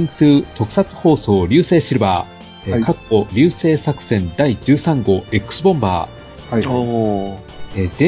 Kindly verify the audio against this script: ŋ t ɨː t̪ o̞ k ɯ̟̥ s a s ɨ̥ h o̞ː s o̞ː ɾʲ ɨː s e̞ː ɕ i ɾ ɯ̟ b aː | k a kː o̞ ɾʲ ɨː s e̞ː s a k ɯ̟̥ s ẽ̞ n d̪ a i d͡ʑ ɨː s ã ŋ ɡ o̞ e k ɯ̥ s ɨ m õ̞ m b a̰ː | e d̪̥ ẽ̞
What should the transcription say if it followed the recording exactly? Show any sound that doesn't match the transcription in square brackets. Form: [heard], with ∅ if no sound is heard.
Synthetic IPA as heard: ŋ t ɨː t̪ o̞ k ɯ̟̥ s a [t͡s] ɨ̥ h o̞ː s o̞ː ɾʲ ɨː s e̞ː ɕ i ɾ ɯ̟ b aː | k a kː o̞ ɾʲ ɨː s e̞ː s a k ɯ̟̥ s ẽ̞ n d̪ a i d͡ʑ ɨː s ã ŋ ɡ o̞ e k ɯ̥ s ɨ [b] õ̞ m b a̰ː | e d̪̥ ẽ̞